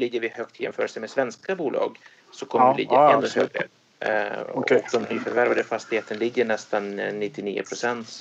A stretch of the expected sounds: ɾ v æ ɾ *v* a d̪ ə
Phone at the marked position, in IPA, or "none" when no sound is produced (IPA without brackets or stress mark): v